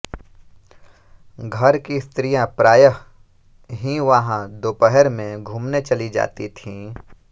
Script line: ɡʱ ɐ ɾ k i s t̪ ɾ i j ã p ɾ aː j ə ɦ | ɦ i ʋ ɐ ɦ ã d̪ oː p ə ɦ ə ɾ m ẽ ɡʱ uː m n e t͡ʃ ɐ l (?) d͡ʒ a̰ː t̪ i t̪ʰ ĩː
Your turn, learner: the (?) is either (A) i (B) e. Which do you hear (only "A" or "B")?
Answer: A